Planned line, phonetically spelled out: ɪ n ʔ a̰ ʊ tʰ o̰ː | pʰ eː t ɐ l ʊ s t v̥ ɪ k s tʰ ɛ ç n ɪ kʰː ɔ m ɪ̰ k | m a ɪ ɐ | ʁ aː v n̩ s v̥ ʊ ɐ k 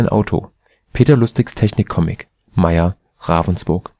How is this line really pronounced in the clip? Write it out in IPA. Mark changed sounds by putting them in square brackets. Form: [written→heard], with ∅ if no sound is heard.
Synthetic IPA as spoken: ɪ n ʔ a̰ ʊ tʰ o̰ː | pʰ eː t ɐ l ʊ s t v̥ ɪ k s tʰ ɛ ç n ɪ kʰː ɔ m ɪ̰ k | m a ɪ ɐ | ʁ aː v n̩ s [v̥→b̥] ʊ ɐ k